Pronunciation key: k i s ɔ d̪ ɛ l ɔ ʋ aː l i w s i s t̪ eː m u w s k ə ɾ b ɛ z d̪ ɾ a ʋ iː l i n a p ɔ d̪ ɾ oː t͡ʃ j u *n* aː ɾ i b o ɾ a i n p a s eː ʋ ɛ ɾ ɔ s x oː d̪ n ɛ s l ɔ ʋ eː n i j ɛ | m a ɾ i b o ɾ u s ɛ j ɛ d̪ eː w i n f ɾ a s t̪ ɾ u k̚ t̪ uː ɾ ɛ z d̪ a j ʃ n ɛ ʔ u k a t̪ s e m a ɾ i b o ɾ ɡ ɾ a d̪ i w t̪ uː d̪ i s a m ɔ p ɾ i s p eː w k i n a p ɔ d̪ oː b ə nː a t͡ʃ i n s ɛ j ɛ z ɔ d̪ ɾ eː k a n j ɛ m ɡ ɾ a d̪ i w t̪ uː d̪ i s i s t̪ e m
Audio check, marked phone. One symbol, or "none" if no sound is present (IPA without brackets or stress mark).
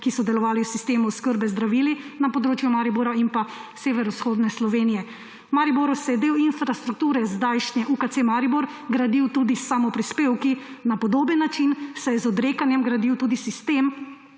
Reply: m